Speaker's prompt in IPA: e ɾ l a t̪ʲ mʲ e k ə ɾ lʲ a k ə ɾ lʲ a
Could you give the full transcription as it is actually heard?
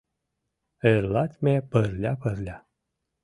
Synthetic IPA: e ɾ l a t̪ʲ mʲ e p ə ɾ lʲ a p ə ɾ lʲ a